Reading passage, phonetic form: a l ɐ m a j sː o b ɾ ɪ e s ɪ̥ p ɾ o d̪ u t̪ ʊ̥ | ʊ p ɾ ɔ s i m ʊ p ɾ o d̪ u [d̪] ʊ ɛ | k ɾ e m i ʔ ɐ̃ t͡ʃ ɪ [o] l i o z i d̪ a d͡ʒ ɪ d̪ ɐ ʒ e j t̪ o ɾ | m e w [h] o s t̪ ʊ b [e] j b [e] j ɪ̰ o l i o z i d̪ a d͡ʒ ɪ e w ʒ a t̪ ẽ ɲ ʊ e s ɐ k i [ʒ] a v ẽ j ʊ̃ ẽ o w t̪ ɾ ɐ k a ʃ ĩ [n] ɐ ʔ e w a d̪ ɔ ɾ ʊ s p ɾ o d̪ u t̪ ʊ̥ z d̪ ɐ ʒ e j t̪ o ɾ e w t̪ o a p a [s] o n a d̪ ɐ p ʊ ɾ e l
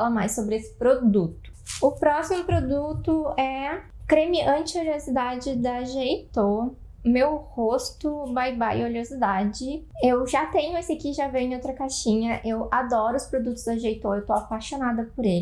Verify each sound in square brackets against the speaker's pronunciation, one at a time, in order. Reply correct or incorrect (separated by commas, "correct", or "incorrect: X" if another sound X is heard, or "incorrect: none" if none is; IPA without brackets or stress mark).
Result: incorrect: t̪, correct, correct, incorrect: a, incorrect: a, correct, incorrect: ɲ, incorrect: ʃ